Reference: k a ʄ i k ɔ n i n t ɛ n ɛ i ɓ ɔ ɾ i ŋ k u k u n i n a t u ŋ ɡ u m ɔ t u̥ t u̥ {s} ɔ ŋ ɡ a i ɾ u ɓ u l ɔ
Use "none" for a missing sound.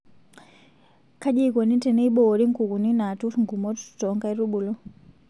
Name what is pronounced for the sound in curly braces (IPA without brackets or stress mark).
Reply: t